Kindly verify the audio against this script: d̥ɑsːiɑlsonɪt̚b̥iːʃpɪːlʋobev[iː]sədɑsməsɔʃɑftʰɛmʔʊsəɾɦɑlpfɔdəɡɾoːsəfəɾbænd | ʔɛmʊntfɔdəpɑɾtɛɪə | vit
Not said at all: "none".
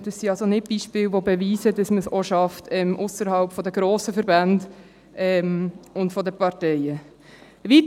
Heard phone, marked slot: iː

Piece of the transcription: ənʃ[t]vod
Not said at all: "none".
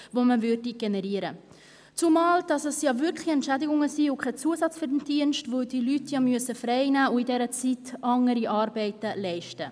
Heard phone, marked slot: t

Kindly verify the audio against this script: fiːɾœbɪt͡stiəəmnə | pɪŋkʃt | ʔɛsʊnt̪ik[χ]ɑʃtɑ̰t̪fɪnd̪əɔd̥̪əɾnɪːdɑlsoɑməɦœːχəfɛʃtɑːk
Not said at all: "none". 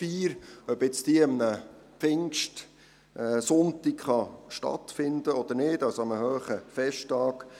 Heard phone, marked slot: χ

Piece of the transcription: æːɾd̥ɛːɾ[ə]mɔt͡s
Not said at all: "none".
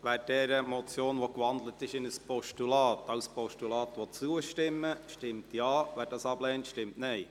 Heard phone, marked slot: ə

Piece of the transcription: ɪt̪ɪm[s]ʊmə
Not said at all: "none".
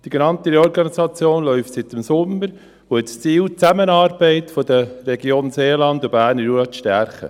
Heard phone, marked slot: s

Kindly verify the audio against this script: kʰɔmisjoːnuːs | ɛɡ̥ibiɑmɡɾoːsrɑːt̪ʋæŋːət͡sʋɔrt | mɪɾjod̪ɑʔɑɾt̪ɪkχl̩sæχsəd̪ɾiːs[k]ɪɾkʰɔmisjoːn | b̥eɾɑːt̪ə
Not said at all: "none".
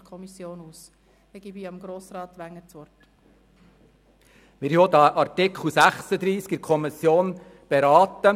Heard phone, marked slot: k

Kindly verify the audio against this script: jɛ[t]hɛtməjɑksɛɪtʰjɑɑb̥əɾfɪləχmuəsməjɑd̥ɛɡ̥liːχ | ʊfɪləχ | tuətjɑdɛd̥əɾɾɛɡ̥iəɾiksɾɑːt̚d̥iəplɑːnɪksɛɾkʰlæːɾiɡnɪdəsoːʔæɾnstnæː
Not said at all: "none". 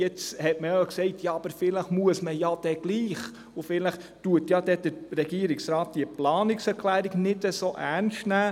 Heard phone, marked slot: t͡s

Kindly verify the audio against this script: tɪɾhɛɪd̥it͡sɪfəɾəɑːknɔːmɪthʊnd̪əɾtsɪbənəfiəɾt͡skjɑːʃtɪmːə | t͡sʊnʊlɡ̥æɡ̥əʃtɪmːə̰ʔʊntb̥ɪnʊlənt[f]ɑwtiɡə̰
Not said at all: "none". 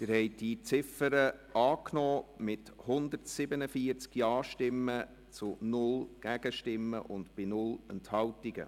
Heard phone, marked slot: h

